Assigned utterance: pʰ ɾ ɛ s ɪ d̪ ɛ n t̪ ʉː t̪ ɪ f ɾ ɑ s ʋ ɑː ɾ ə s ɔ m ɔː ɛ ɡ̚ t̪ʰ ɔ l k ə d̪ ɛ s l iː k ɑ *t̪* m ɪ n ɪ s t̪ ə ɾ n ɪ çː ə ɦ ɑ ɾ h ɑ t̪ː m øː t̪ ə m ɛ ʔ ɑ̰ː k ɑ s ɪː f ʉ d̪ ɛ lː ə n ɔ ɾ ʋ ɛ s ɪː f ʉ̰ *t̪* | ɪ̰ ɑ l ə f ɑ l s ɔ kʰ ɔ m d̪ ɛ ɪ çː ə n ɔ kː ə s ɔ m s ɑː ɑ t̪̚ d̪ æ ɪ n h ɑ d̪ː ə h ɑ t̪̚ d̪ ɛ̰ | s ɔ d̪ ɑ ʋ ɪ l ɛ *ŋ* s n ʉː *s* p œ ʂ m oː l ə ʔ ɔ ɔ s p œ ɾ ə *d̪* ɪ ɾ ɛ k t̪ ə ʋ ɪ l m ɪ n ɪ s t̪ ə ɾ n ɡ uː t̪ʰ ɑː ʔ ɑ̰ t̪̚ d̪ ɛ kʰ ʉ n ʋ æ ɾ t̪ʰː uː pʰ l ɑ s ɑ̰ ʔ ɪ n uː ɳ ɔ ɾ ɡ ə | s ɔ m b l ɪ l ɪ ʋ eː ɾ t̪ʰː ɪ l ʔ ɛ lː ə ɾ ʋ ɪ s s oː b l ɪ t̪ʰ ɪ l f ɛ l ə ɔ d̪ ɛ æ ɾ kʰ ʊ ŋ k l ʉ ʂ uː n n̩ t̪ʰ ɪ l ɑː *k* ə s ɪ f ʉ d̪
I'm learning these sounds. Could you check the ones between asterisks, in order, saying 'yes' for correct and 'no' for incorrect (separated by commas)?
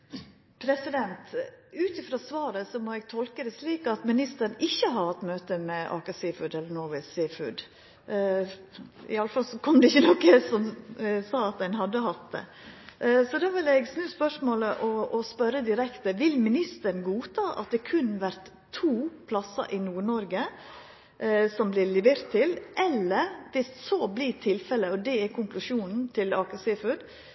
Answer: yes, no, no, yes, yes, yes